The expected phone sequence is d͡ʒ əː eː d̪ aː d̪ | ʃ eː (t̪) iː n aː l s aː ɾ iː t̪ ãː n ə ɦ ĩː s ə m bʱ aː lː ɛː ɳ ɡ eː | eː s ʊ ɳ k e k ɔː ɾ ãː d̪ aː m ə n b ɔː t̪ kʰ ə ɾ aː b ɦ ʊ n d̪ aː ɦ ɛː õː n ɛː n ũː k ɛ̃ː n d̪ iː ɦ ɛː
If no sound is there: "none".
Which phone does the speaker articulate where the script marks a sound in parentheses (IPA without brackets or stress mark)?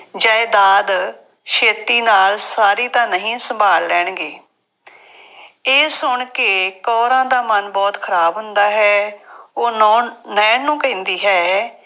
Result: t̪